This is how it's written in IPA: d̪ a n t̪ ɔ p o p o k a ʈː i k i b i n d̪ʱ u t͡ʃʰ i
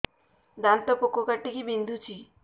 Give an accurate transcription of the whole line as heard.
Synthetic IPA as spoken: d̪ a n t̪ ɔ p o k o k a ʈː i k i b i n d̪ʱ u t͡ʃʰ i